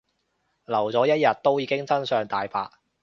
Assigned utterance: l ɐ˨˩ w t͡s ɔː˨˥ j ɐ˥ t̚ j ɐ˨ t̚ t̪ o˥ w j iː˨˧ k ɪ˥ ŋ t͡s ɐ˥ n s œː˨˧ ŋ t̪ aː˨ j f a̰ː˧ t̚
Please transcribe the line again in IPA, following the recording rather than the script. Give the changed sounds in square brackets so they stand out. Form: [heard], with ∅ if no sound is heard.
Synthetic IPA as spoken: l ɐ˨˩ w t͡s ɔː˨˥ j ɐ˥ t̚ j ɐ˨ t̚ t̪ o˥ w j iː˨˧ k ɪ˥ ŋ t͡s ɐ˥ n s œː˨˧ ŋ t̪ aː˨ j f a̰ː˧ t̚